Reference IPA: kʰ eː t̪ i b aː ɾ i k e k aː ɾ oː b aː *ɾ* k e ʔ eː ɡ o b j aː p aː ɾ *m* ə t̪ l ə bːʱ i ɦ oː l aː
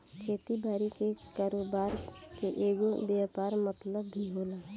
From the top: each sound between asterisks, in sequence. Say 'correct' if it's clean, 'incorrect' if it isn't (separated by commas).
correct, correct